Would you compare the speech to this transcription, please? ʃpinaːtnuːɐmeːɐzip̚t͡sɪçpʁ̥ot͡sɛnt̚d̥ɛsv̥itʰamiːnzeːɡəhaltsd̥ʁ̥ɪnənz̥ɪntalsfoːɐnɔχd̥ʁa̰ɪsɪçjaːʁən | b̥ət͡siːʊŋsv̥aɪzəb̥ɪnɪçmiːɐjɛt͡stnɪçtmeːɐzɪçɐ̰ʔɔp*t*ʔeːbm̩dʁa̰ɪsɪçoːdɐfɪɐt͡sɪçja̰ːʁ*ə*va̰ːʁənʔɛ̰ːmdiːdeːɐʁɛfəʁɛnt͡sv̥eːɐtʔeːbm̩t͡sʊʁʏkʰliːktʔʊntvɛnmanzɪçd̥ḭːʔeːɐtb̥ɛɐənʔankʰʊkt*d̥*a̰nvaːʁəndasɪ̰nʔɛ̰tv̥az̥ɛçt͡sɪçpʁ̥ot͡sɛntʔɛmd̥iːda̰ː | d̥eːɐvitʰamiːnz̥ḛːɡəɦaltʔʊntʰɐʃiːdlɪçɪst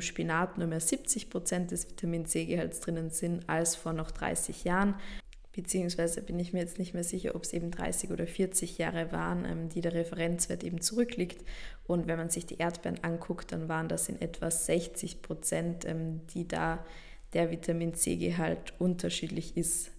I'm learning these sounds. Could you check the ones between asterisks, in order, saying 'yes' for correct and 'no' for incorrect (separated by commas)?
no, yes, yes